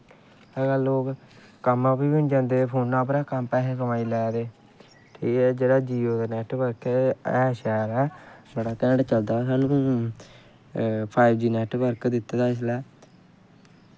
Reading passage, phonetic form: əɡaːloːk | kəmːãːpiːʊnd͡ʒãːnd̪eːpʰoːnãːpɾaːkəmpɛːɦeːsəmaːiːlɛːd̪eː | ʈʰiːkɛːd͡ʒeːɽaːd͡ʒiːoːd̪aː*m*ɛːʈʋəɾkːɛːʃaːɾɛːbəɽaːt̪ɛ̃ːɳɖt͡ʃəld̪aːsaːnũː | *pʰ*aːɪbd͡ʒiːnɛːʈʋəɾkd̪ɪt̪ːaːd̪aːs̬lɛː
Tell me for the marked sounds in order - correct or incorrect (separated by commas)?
incorrect, correct